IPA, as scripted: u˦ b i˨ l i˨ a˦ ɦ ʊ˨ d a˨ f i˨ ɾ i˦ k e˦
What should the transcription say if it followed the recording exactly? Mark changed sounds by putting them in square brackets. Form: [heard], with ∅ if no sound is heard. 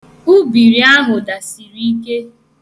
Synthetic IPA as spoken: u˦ b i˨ [ɾ] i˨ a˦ ɦ ʊ˨ d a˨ [s] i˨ ɾ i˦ k e˦